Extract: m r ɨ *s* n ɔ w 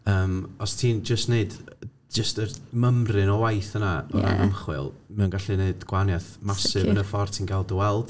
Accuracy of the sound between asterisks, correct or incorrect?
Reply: incorrect